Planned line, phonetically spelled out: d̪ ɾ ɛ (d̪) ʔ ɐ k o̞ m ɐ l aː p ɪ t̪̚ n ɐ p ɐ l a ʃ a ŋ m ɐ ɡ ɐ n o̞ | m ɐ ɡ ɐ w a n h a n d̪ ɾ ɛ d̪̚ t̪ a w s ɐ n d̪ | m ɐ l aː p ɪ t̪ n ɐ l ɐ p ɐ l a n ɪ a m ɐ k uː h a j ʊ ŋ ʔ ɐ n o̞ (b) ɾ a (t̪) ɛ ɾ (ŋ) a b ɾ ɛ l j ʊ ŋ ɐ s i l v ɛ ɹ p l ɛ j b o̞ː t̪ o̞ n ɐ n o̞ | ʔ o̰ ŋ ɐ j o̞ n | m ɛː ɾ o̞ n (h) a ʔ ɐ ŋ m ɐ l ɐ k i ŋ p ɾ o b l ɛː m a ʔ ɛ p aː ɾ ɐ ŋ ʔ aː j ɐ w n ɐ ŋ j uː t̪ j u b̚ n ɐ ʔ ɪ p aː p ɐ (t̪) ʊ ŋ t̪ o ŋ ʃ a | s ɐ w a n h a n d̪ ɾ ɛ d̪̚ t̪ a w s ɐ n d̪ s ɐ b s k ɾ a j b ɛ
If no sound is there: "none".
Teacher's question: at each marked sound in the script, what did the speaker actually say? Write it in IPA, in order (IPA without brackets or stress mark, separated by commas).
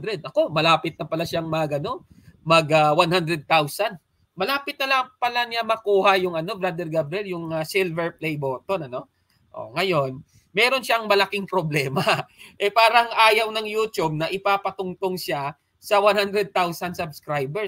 d̪, b, d̪, ɡ, ʃ, t̪